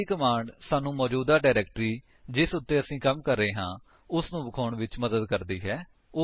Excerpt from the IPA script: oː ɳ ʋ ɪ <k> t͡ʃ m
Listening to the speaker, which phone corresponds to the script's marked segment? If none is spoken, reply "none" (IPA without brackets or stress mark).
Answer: none